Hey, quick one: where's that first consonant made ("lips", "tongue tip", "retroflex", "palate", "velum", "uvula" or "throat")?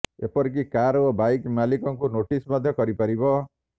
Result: lips